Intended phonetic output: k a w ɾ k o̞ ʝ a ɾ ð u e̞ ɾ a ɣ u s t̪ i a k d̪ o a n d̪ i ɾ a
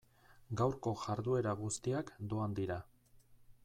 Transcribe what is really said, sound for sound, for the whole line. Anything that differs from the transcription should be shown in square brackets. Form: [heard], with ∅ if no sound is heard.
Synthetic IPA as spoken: [ɡ] a w ɾ k o̞ ʝ a ɾ ð u e̞ ɾ a ɣ u s t̪ i a k d̪ o a n d̪ i ɾ a